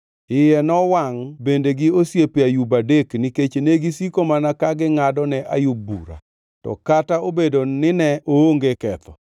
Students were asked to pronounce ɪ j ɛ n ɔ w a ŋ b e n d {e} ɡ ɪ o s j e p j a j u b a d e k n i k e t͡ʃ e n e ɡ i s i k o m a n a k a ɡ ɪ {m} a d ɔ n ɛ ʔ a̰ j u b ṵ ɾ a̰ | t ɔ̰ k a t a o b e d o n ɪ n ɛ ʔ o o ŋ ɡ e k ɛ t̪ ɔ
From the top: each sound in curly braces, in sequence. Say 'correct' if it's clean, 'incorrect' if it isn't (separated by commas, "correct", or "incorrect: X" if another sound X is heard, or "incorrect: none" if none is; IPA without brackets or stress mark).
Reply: correct, incorrect: ŋ